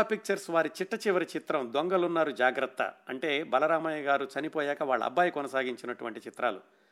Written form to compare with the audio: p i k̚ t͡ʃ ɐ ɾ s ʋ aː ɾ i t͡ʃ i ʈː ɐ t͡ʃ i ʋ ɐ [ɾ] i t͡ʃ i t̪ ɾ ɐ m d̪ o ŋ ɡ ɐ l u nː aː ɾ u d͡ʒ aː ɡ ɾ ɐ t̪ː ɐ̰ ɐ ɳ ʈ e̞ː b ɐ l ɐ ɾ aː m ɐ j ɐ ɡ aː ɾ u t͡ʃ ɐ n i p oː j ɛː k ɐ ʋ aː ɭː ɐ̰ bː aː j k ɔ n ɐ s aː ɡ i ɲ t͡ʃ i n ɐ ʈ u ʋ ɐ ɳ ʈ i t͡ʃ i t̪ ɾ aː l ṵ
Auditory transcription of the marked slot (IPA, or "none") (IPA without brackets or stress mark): ɾ